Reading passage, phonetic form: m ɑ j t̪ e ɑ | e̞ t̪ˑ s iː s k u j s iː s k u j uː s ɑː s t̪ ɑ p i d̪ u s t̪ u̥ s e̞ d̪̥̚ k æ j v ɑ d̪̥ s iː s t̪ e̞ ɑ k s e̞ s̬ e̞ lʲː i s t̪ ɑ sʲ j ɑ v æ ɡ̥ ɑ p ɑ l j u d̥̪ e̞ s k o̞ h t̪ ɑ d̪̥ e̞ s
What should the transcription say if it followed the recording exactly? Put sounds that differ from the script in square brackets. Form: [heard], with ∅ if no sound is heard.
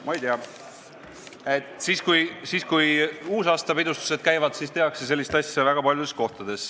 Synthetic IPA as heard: m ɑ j t̪ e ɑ | e̞ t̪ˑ s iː s k u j s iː s k u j uː s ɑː s t̪ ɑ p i d̪ u s t̪ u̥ s e̞ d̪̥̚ k æ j v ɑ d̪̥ s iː s t̪ e̞ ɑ k s e̞ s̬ e̞ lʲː i s t̪ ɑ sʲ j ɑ v æ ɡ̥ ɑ p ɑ l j u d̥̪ e̞ s k o̞ h t̪ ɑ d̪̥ e̞ s